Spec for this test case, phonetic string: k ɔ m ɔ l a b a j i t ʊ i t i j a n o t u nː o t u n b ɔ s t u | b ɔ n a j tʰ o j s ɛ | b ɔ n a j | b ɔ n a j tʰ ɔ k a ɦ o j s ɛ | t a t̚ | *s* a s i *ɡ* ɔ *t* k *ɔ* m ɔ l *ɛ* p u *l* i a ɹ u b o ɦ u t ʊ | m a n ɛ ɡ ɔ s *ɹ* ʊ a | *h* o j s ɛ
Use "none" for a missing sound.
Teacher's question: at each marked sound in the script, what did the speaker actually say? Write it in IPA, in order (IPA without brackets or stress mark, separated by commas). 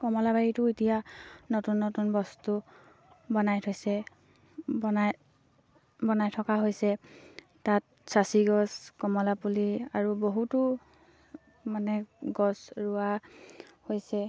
s, ɡ, s, ɔ, a, l, ɹ, h